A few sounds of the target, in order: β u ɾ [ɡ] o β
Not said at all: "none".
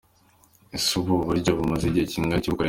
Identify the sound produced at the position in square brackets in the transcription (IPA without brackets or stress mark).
ɟ